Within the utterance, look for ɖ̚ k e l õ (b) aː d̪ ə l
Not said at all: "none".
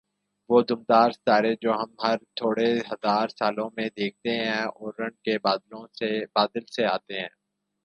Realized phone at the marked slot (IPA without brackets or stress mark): b